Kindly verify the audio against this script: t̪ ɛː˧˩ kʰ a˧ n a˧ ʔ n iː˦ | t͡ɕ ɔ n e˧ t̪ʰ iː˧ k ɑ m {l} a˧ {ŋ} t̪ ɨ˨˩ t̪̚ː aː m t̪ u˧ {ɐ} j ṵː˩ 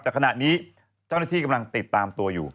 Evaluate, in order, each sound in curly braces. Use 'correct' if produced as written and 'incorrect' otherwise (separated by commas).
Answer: correct, correct, incorrect